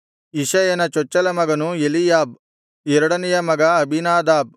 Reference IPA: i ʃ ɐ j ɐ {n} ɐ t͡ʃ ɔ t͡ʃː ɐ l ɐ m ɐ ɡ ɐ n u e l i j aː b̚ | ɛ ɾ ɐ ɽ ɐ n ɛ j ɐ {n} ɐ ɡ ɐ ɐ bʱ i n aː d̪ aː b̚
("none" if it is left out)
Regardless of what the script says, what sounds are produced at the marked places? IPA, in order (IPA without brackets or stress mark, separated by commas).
n, m